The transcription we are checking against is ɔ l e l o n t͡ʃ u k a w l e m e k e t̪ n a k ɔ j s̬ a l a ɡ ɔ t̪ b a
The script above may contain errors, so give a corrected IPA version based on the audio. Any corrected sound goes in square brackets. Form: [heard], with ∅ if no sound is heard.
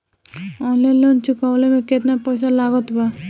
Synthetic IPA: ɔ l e l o n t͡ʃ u k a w l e m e k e t̪ n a [p] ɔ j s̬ a l a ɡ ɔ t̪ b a

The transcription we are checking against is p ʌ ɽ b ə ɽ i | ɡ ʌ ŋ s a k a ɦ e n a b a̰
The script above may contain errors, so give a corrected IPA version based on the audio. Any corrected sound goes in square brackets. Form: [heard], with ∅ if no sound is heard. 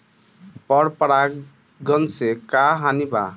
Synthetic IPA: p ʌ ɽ [p] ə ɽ [a] | ɡ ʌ [n] s [e] k a ɦ [a] n [i] b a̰

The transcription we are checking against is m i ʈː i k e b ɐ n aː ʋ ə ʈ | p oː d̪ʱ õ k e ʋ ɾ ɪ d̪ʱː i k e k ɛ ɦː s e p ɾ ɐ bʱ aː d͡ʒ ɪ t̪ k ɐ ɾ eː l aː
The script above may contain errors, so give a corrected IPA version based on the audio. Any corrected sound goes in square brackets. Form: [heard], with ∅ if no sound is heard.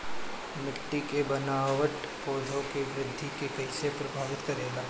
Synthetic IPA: m [ɪ] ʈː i k e b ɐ n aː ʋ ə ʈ | p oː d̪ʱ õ k e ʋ ɾ ɪ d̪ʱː i k e k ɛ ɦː s e p ɾ ɐ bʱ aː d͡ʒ ɪ t̪ k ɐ ɾ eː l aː

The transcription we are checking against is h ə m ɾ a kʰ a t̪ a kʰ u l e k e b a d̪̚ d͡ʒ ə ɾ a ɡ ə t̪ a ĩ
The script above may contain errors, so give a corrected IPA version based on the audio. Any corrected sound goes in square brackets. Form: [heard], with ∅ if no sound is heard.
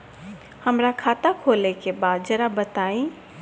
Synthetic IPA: h ə m ɾ a kʰ a t̪ a kʰ [o] l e k e b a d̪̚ d͡ʒ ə ɾ a [b] ə t̪ a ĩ

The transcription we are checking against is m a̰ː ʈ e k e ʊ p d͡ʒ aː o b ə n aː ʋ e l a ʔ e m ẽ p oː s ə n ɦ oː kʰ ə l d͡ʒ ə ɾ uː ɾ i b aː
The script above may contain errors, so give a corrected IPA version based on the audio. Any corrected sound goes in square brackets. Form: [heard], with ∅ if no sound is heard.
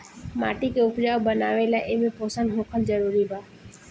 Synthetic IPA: m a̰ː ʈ [i] k e ʊ p d͡ʒ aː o b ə n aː ʋ e l a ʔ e m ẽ p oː s ə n ɦ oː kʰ ə l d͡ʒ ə ɾ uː ɾ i b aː

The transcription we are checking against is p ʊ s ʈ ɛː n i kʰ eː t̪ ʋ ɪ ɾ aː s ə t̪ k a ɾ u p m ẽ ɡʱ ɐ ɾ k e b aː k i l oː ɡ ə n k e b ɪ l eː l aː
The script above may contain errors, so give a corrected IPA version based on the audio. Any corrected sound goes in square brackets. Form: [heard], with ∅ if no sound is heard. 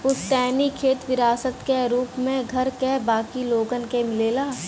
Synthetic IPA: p ʊ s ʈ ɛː n i kʰ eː t̪ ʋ ɪ ɾ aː s ə t̪ k [e] ɾ [uː] p m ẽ ɡʱ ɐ ɾ k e b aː k i l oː ɡ ə n k e [m] ɪ l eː l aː

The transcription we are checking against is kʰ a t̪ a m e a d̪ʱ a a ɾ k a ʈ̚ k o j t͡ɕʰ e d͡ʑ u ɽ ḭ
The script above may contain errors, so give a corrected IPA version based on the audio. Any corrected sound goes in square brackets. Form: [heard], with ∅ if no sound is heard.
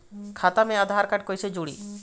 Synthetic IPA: kʰ a t̪ a m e a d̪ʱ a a ɾ k a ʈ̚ k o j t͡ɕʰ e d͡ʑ u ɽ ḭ

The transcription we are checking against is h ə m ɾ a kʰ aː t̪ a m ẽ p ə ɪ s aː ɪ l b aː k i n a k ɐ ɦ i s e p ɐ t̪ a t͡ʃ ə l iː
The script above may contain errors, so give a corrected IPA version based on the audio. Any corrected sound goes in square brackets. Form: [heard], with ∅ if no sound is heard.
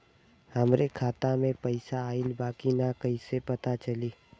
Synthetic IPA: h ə m ɾ [e] kʰ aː t̪ a m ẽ p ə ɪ s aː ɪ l b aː k i n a k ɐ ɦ i s e p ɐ t̪ a t͡ʃ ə l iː

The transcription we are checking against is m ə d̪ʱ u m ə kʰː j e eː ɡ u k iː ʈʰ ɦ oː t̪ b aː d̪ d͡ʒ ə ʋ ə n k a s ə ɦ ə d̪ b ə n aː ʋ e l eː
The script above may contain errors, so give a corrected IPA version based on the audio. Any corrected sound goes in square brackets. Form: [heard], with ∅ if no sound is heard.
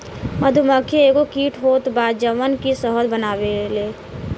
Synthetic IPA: m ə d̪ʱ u m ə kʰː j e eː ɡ [o] k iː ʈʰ ɦ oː t̪ b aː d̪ d͡ʒ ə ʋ ə n k [i] s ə ɦ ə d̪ b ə n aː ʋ e l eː

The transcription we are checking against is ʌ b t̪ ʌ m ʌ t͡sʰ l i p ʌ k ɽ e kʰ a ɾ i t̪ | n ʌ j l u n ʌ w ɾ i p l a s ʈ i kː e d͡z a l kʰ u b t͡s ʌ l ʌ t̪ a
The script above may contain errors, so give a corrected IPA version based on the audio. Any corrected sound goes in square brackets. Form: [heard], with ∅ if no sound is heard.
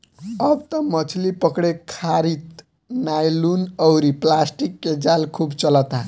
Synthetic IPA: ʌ b t̪ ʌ m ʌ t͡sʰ l i p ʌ k ɽ e kʰ a ɾ i t̪ | n [a] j l u n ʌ w ɾ i p l a s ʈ i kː e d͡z a l kʰ u b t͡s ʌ l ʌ t̪ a

